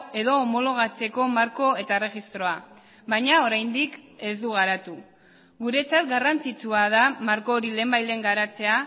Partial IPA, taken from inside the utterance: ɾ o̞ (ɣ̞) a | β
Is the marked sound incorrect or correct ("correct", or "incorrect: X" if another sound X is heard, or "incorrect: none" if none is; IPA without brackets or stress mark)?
incorrect: none